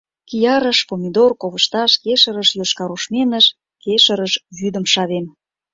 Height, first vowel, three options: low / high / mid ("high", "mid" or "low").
high